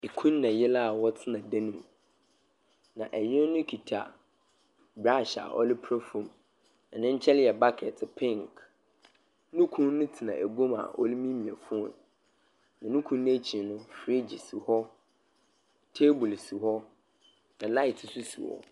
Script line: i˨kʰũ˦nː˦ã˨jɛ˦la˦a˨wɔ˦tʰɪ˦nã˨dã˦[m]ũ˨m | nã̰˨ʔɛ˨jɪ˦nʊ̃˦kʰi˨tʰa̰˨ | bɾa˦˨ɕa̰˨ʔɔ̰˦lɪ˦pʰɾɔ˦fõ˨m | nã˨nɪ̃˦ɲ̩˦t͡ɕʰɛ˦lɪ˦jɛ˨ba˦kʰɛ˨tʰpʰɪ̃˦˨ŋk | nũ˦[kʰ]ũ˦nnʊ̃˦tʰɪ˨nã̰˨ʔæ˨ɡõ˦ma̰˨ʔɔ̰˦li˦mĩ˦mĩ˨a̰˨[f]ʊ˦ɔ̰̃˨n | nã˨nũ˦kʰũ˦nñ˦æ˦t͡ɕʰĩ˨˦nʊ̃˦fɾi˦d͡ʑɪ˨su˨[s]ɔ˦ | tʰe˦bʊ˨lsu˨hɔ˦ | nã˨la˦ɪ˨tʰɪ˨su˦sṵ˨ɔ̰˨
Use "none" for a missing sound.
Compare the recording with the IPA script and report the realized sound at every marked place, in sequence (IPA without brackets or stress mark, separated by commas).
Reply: n, kʰ, f, h